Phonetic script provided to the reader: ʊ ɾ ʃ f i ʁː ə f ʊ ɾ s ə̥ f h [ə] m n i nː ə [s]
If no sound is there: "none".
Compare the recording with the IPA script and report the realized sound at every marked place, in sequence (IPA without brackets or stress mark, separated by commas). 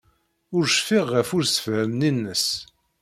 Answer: ə, s